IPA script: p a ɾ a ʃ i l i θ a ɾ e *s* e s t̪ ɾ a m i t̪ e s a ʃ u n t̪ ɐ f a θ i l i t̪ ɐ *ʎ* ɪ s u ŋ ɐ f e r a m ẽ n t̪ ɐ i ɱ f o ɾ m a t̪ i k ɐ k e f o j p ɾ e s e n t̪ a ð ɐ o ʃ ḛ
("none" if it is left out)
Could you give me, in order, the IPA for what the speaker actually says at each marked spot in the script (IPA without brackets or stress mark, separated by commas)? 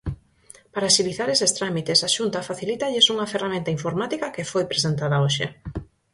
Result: s, ʎ